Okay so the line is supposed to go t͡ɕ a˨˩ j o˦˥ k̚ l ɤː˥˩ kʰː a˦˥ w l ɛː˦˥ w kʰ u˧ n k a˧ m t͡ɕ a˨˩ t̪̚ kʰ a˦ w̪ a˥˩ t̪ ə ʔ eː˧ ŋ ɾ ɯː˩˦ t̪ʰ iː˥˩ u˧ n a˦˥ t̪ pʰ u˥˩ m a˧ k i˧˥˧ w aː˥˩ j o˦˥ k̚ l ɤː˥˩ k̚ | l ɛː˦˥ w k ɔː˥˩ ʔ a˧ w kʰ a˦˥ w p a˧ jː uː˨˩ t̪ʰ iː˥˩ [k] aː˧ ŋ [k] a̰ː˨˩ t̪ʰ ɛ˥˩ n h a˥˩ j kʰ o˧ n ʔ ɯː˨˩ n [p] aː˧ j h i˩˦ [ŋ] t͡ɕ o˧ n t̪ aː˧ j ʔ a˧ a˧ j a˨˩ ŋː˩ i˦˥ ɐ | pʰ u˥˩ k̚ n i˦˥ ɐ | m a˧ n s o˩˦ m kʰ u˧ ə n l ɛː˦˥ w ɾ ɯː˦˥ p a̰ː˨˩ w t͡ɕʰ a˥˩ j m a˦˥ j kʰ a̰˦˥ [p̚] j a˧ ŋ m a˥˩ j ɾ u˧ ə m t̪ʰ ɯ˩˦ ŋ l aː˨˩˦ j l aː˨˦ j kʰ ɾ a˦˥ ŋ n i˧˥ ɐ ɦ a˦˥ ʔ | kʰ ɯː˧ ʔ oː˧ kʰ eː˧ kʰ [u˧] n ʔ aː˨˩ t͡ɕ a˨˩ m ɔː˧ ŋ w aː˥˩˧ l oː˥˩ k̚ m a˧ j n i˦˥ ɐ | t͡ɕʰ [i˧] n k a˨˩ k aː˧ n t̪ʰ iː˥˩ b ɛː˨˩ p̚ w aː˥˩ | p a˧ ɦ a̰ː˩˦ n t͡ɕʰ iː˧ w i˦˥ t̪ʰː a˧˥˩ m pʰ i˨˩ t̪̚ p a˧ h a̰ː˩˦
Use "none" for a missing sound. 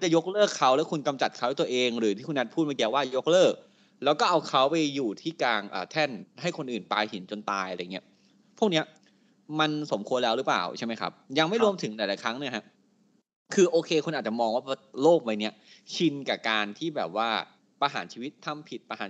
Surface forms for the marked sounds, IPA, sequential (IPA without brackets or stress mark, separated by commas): k, ʔ, p, n, p̚, u˧, i˧